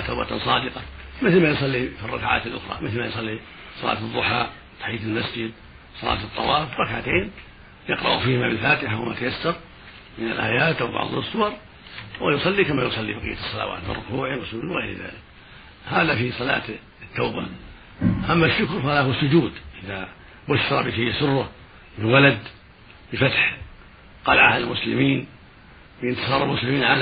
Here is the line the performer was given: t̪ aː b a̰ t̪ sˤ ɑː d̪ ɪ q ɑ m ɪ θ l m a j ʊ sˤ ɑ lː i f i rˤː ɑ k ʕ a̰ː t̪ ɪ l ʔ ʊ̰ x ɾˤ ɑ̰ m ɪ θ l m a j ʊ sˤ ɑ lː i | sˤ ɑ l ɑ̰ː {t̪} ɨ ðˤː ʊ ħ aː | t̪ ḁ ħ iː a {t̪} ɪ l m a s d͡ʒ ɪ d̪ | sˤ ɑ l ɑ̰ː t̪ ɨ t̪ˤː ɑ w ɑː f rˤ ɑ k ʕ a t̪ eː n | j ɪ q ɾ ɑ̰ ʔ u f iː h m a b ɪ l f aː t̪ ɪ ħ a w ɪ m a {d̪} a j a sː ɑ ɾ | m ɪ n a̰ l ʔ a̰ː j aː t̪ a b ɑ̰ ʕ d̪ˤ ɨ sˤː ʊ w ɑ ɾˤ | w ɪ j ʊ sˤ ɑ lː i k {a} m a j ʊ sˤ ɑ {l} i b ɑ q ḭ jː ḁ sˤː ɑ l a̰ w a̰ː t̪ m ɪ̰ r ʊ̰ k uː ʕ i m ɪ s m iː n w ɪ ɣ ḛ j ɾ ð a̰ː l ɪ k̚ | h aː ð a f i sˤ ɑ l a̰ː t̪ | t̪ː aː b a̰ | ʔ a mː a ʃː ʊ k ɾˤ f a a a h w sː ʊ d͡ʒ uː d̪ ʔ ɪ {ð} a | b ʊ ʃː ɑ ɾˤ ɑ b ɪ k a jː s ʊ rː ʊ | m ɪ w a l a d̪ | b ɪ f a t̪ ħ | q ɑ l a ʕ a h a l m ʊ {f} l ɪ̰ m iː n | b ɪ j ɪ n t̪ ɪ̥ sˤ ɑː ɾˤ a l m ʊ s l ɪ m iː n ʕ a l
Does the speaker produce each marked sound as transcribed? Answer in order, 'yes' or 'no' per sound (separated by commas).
yes, yes, no, yes, no, yes, no